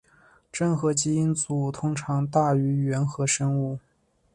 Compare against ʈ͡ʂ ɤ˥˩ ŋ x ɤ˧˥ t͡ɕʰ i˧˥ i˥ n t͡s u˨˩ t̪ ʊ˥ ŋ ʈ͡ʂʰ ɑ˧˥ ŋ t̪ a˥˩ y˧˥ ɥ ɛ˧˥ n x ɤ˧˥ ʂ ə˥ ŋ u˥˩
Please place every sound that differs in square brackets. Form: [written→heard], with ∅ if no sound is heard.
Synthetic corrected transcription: ʈ͡ʂ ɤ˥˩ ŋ x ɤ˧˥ [t͡ɕʰ→t͡ɕ] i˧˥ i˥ n t͡s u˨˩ [t̪→t̪ʰ] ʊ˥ ŋ ʈ͡ʂʰ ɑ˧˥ ŋ t̪ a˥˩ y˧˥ ɥ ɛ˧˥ n x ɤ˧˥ ʂ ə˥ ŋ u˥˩